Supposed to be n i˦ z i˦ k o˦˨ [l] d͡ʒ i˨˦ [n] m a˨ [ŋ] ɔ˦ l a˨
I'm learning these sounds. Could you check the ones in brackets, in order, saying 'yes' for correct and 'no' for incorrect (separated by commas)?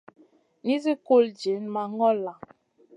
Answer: yes, yes, yes